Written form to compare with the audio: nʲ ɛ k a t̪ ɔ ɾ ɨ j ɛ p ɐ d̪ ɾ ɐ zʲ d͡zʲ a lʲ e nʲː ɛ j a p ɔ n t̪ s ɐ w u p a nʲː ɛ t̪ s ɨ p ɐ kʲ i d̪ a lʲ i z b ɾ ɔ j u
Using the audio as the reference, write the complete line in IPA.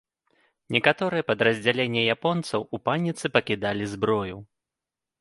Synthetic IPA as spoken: nʲ ɛ k a t̪ ɔ ɾ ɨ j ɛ p ɐ d̪ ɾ ɐ zʲ d͡zʲ a lʲ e nʲː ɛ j a p ɔ n t̪ s ɐ w u p a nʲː i t̪ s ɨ p ɐ kʲ i d̪ a lʲ i z b ɾ ɔ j u